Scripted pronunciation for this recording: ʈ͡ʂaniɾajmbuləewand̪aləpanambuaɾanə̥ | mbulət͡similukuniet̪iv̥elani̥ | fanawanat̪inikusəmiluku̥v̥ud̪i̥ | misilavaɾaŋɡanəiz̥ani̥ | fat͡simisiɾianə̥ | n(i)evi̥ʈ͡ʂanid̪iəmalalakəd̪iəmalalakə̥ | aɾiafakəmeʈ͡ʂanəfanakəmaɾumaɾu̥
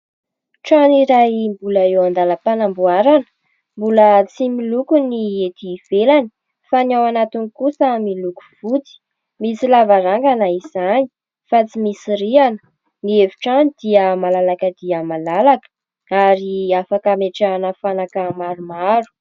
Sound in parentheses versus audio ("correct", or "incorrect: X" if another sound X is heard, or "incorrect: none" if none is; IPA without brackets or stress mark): correct